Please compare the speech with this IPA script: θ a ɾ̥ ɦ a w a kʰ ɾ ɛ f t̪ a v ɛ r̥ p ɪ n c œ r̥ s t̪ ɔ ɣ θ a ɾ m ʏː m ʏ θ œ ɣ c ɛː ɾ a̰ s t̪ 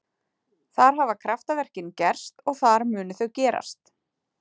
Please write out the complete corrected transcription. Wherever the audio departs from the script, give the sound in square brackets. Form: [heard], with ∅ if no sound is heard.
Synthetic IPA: θ a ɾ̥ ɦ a [v] a kʰ ɾ [a] f t̪ a v ɛ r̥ [c] ɪ n c [ɛ] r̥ s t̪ ɔ ɣ θ a ɾ m ʏː [n] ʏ θ œ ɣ c ɛː ɾ a̰ s t̪